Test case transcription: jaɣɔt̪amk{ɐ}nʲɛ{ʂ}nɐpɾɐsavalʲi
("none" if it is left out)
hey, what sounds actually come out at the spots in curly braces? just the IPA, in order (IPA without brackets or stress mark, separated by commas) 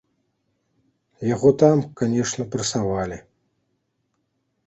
a, ʂ